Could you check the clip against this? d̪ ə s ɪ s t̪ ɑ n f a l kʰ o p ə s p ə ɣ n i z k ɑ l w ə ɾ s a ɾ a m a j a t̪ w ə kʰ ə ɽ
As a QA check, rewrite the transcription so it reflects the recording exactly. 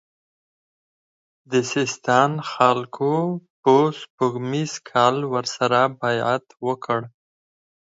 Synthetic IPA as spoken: d̪ ə s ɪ s t̪ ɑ n x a l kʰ o p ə s p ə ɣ m i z kʰ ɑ l w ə ɾ s a ɾ a b a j a t̪ w ə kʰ ə ɽ